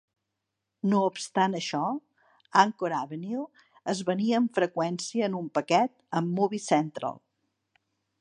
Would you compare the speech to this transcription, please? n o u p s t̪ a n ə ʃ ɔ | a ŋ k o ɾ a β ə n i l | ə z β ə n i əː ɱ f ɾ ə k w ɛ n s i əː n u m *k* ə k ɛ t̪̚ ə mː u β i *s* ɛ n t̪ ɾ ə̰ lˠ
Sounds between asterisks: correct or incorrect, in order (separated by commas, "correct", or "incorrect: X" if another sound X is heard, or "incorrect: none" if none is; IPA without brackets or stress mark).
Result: incorrect: p, correct